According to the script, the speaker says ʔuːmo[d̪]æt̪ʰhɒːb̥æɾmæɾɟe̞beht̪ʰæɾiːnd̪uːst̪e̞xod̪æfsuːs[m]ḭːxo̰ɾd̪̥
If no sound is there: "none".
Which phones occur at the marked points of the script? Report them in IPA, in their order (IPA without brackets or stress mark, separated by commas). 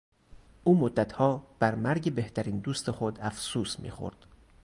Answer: d̪ː, m